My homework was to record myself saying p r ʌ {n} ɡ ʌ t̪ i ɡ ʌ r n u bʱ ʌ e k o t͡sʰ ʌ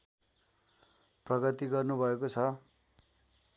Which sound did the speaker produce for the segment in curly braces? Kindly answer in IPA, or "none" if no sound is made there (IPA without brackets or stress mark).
none